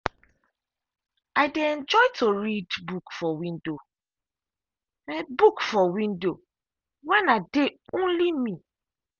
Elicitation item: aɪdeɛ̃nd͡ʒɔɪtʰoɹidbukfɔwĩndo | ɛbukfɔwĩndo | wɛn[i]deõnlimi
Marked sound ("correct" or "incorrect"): incorrect